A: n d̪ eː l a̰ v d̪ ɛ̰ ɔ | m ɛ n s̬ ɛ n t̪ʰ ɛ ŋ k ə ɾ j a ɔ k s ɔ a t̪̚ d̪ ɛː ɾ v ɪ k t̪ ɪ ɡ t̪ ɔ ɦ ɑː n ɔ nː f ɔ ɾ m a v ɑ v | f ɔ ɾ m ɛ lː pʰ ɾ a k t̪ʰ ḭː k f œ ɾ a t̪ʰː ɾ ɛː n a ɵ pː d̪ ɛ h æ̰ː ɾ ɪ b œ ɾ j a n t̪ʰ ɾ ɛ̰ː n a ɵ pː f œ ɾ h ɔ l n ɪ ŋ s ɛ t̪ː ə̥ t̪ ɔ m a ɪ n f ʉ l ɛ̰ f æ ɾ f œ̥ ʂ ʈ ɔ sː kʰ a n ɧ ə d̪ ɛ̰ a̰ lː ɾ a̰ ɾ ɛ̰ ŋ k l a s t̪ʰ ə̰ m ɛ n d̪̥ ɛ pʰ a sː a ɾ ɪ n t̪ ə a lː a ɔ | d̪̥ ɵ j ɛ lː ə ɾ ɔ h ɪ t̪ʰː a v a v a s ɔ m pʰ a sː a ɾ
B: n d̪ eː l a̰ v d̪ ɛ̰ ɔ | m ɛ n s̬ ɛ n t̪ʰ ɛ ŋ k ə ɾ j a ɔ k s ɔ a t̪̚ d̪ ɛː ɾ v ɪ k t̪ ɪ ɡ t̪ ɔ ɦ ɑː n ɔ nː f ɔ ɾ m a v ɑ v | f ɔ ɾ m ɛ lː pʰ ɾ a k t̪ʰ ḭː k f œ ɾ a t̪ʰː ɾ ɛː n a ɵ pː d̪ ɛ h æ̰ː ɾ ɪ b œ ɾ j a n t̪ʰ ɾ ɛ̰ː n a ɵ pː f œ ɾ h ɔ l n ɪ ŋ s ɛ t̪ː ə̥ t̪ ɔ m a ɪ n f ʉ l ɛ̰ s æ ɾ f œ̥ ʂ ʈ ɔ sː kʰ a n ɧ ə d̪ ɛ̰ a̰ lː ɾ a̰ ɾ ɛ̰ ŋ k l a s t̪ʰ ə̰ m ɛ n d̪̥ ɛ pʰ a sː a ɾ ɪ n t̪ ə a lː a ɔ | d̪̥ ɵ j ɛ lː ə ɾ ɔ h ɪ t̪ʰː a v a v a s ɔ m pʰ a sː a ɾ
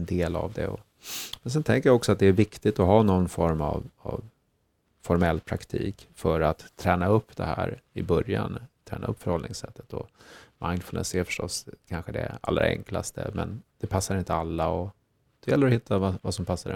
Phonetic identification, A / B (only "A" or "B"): B